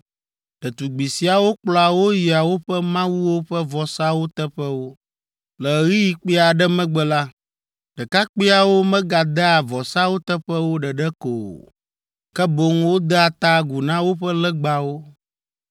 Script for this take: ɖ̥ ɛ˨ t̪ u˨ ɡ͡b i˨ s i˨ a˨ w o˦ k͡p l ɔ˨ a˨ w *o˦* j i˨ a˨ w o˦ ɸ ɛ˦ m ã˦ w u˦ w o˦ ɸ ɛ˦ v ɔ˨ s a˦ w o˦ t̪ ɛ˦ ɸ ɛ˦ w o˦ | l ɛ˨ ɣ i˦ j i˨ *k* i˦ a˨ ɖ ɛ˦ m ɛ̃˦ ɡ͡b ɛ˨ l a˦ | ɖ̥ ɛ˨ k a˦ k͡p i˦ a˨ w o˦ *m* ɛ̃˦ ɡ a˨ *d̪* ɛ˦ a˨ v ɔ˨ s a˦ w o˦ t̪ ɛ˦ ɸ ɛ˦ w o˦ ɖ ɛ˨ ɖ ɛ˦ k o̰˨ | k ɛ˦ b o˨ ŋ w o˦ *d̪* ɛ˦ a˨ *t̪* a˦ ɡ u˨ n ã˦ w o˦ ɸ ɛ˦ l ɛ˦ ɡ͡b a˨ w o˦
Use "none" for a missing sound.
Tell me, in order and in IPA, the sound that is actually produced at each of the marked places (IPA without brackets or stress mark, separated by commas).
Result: o˦, k͡p, m, d̪, d̪, t̪